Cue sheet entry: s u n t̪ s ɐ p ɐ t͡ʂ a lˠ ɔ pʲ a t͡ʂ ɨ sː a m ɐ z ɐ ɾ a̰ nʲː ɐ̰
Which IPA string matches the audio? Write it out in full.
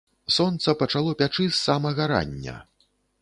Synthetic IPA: s ɔ n t̪ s ɐ p ɐ t͡ʂ a lˠ ɔ pʲ a t͡ʂ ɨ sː a m ɐ ɣ ɐ ɾ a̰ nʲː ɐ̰